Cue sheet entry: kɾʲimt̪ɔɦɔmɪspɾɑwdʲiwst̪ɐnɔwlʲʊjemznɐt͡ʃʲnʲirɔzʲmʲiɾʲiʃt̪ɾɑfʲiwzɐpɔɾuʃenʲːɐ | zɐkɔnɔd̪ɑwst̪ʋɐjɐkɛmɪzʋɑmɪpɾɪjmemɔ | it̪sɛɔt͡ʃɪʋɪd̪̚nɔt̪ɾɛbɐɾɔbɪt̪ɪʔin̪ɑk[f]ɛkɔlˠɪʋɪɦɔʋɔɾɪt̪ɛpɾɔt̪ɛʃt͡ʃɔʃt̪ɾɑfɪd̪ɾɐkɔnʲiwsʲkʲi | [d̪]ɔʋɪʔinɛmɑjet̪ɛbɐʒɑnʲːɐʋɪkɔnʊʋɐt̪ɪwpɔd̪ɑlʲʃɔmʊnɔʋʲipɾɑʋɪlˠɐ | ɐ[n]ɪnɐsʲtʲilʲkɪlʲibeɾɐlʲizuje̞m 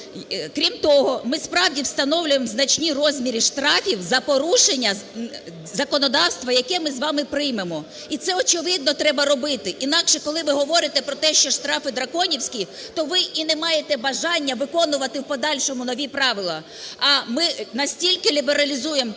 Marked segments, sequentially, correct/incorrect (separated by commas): incorrect, incorrect, incorrect